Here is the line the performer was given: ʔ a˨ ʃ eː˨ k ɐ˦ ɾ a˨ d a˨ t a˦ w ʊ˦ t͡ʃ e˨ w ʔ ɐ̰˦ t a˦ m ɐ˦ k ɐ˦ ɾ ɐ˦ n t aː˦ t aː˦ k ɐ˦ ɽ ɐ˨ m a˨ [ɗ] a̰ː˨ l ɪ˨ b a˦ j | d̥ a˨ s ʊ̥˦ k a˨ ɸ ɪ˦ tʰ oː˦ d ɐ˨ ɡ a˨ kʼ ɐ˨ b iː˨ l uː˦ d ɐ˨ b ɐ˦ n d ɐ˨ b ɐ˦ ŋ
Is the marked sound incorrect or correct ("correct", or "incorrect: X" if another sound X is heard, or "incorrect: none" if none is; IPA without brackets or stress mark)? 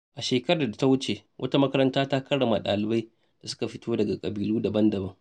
correct